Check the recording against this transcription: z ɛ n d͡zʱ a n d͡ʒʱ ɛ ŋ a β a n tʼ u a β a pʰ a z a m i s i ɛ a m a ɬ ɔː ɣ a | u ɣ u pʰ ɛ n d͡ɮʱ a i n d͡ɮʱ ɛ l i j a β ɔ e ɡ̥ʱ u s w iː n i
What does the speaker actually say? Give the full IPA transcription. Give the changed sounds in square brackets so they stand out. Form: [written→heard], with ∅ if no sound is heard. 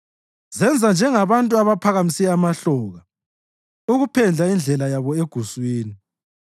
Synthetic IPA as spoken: z ɛ n d͡zʱ a n d͡ʒʱ ɛ ŋ a β a n tʼ u a β a pʰ a [z→ɣ] a m i s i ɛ a m a ɬ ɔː ɣ a | u ɣ u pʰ ɛ n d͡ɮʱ a i n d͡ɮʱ ɛ l [i→a] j a β ɔ e ɡ̥ʱ u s w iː n i